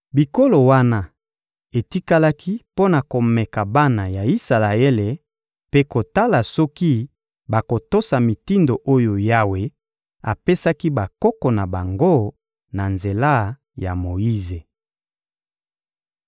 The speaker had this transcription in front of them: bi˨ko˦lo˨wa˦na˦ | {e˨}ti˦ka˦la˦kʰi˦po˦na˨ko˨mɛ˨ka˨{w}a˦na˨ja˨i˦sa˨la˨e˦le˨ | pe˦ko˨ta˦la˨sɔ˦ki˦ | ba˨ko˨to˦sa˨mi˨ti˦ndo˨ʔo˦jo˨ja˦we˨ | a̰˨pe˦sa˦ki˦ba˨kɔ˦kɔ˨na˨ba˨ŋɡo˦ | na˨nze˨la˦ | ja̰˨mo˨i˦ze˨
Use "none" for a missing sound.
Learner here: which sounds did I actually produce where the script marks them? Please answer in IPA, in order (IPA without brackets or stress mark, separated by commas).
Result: e˨, b